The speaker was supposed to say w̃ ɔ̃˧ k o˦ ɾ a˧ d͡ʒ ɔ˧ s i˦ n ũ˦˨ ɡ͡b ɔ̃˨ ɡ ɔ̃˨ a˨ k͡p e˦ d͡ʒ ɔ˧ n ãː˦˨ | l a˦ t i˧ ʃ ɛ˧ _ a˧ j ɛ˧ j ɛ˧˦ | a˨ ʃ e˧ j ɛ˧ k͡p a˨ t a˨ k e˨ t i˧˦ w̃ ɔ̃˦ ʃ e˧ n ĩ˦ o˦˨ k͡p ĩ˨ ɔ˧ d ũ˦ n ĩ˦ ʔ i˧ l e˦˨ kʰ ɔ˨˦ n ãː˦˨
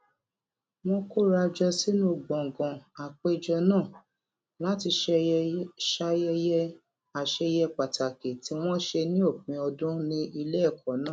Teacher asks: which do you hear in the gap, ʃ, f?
ʃ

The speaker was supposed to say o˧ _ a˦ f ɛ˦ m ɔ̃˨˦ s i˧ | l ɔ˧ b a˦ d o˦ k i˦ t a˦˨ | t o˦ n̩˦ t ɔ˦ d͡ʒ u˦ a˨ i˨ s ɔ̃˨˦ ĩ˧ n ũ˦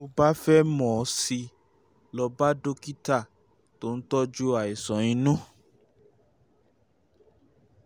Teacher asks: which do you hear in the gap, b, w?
b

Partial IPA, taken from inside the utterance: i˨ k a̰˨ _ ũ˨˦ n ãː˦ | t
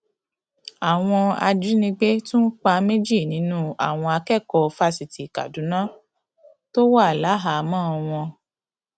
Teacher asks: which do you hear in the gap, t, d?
d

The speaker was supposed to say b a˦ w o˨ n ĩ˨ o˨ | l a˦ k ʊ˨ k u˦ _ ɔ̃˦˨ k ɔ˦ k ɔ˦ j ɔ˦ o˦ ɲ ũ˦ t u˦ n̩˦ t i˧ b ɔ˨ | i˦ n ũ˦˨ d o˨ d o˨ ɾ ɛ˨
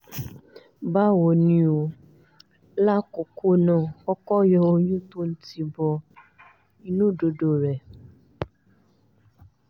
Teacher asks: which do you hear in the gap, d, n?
n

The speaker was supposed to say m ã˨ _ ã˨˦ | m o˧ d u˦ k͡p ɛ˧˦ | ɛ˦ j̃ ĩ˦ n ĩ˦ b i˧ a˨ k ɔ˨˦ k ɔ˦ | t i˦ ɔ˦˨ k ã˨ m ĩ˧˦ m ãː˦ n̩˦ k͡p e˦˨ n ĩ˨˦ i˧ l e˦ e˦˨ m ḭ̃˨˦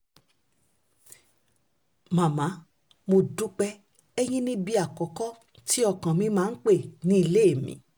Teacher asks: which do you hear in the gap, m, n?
m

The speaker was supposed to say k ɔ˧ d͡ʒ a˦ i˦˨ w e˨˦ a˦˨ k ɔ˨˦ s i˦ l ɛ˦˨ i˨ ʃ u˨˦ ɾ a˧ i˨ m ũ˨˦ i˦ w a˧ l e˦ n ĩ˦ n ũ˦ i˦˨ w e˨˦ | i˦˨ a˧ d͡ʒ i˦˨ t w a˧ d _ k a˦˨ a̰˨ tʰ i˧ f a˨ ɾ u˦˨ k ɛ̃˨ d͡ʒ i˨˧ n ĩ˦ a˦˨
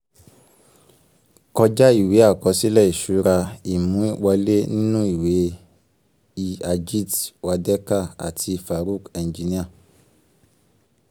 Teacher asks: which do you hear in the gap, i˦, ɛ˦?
ɛ˦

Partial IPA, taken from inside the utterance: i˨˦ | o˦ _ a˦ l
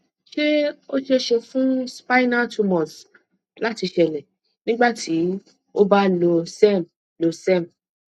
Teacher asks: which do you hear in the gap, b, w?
b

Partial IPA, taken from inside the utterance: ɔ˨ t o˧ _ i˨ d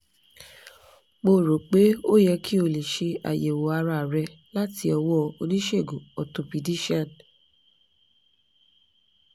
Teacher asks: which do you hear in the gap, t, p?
p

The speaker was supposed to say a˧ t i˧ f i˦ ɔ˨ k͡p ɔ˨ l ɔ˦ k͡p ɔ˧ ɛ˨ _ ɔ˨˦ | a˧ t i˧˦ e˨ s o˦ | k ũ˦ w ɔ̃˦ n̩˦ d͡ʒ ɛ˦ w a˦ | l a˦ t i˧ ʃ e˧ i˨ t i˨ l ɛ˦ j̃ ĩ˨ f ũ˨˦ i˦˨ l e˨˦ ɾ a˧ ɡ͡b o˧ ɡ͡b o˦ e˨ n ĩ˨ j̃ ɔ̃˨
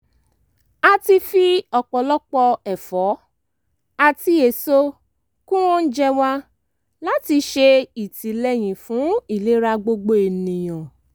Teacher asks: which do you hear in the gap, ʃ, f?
f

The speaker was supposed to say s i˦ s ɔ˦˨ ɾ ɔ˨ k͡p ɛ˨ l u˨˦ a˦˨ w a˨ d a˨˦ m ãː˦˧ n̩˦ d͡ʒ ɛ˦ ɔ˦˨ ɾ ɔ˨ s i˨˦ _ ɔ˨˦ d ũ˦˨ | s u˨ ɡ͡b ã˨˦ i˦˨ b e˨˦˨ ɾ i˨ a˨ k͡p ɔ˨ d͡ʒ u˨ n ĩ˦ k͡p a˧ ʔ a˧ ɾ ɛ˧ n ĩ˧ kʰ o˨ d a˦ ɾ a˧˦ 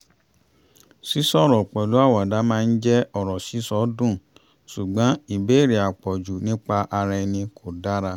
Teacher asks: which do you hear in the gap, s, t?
s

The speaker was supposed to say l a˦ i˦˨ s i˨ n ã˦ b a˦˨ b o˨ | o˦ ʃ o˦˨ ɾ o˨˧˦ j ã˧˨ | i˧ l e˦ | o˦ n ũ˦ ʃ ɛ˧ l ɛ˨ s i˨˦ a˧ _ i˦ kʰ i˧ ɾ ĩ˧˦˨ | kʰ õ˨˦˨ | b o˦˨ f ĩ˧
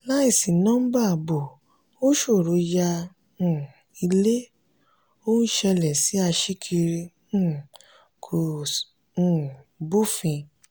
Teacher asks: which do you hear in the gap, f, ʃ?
ʃ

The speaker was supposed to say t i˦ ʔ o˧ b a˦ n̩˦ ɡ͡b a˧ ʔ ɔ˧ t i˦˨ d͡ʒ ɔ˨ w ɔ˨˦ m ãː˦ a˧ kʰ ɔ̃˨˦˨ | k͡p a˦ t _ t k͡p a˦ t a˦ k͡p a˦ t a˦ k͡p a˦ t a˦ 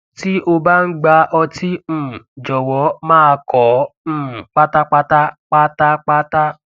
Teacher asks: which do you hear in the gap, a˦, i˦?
a˦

